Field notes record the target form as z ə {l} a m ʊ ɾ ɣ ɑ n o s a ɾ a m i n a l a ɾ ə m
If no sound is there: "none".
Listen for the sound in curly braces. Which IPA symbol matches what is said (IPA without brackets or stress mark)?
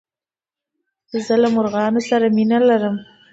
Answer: l